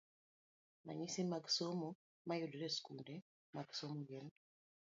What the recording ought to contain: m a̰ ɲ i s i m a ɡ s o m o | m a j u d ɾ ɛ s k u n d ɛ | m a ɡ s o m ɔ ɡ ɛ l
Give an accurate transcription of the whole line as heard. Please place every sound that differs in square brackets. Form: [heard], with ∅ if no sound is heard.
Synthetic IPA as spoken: m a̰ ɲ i s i m a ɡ s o m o | m a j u d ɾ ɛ s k u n d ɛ | m a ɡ s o m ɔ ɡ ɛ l